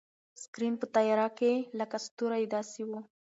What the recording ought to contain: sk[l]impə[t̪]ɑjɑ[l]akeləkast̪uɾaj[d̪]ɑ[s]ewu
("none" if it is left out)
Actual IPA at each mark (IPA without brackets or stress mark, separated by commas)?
ɾ, t̪, ɾ, d̪, s